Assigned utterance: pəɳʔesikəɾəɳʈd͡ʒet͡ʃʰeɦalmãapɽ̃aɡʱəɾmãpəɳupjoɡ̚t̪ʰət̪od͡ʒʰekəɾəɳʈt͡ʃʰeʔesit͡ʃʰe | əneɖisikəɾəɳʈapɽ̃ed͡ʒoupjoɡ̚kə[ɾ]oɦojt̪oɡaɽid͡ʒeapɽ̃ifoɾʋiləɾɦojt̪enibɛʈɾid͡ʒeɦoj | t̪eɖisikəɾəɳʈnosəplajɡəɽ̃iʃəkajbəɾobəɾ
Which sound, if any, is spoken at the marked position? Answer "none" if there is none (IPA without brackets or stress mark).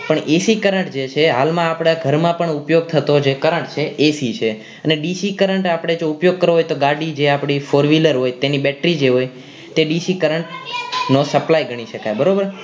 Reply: ɾ